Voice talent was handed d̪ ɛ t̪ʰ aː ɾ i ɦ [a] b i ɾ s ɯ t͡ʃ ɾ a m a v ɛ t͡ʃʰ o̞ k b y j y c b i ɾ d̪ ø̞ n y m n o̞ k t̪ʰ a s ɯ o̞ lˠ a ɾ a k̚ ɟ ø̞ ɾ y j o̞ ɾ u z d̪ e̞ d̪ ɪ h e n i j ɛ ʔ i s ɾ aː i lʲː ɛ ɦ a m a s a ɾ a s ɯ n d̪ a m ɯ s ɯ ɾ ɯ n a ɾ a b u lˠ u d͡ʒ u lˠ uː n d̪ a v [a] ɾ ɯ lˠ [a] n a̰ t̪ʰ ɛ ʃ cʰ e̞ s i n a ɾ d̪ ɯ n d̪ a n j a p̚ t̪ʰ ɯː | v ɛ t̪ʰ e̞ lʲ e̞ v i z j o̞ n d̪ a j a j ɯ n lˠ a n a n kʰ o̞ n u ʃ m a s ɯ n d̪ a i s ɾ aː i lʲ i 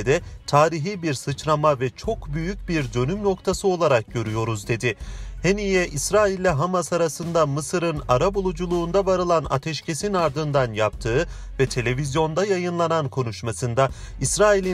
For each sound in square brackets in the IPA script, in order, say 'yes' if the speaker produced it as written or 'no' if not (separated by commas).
no, yes, yes